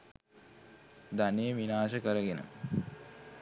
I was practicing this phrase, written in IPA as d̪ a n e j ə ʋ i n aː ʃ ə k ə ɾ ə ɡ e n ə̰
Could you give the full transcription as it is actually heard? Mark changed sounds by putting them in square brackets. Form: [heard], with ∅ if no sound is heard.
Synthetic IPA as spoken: d̪ a n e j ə ʋ i n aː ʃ ə k ə ɾ ə ɡ e n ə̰